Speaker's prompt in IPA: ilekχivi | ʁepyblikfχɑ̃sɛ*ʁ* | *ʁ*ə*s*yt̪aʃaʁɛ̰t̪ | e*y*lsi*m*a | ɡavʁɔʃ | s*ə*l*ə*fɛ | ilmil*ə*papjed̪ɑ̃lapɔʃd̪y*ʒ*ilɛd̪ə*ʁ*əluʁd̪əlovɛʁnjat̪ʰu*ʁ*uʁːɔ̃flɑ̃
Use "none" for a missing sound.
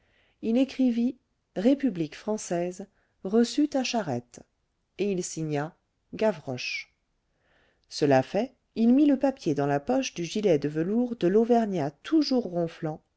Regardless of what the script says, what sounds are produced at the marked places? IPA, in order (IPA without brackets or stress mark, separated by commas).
z, ʁ, s, i, ɲ, ə, a, ə, ʒ, v, ʒ